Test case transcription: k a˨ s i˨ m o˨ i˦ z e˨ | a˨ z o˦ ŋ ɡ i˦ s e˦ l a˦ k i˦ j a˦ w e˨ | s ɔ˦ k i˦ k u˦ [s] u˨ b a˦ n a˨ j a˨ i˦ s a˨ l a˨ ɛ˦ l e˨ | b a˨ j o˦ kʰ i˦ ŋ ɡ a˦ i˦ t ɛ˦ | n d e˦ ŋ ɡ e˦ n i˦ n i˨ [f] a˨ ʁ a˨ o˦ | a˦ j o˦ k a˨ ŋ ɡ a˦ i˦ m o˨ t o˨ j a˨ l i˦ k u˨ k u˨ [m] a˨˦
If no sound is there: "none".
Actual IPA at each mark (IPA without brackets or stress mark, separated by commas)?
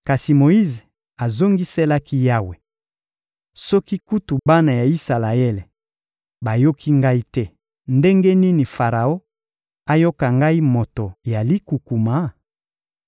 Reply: t, f, m